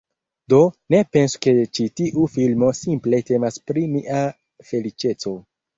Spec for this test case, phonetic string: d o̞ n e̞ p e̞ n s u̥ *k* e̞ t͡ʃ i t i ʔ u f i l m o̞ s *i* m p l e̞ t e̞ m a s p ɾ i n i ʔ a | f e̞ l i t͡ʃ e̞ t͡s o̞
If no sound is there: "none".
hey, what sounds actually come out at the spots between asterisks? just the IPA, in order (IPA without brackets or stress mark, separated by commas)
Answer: k, i